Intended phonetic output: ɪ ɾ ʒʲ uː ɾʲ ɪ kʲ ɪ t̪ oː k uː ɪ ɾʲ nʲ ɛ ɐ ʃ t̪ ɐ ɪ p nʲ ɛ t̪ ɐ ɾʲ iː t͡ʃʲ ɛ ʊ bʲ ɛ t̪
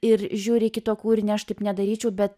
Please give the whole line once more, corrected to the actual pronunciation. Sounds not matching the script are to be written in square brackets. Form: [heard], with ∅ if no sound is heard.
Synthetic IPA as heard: ɪ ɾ ʒʲ uː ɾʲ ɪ kʲ ɪ t̪ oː k uː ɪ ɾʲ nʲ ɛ ɐ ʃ t̪ ɐ ɪ p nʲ ɛ [d̪] ɐ ɾʲ iː t͡ʃʲ ɛ ʊ bʲ ɛ t̪